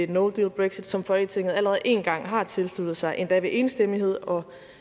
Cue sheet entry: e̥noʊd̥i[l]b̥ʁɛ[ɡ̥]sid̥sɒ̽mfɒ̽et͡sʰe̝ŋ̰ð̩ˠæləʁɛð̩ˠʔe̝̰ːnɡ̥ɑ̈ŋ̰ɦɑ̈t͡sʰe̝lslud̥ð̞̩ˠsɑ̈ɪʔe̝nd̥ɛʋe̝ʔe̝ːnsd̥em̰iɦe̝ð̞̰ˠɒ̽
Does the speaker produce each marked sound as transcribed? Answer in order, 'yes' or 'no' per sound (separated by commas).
yes, yes